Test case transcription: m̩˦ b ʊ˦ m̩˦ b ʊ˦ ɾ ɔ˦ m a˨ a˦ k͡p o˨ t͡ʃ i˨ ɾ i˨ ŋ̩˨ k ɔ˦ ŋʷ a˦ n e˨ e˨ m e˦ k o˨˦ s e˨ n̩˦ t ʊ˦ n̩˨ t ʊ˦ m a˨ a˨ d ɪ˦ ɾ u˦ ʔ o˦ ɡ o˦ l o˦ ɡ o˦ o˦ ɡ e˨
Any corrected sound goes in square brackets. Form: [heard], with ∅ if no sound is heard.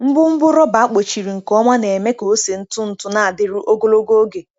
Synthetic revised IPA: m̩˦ b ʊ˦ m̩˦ b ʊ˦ ɾ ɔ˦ [b] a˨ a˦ k͡p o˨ t͡ʃ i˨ ɾ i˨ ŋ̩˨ k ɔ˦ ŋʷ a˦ n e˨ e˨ m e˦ k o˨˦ s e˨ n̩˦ t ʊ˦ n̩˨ t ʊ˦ [n] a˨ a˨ d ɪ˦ ɾ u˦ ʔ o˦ ɡ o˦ l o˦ ɡ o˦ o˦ ɡ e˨